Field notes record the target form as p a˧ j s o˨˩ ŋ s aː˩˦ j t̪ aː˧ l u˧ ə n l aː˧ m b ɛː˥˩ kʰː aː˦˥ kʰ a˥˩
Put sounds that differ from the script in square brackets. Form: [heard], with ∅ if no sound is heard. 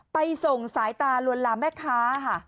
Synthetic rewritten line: p a˧ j s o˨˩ ŋ s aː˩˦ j t̪ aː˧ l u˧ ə n l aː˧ m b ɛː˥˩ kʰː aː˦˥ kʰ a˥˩